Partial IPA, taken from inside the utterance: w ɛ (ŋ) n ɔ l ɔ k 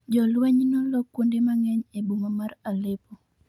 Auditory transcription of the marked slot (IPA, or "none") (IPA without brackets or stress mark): ɲ